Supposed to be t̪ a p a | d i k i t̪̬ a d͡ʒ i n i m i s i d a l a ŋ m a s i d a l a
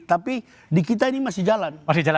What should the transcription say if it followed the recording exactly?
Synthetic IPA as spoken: t̪ a p i | d i k i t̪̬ a i n i m a s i d͡ʒ a l a n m a s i d͡ʒ a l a